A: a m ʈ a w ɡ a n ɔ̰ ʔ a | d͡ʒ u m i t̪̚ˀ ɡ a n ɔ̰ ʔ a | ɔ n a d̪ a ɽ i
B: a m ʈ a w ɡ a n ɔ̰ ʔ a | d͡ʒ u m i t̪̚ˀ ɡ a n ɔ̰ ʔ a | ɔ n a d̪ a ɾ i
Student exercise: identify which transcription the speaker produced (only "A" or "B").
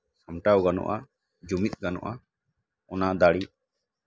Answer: A